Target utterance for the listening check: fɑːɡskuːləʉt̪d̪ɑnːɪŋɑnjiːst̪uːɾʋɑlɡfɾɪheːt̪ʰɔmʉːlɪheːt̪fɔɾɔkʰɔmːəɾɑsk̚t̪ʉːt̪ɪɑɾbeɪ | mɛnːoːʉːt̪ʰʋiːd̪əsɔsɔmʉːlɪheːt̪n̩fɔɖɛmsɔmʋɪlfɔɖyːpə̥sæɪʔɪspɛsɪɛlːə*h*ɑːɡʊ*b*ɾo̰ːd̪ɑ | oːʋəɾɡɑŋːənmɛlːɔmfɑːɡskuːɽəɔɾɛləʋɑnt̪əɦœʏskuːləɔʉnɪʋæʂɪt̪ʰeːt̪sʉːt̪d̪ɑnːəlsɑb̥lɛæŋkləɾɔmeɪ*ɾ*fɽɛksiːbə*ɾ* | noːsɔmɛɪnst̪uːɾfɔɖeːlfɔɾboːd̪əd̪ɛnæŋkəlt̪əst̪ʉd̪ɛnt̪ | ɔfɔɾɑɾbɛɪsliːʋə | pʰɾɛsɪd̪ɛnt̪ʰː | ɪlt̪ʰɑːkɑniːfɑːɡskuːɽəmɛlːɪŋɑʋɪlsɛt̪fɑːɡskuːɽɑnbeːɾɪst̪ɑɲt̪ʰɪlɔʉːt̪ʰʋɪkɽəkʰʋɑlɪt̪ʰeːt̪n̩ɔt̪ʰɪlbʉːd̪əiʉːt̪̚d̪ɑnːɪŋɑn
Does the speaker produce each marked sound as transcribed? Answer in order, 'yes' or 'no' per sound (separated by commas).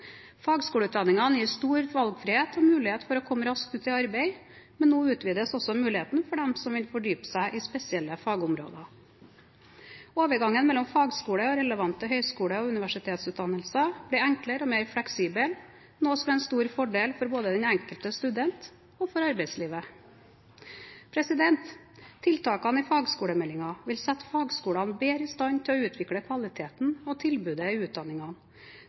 no, no, yes, no